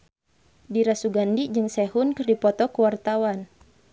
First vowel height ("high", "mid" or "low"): high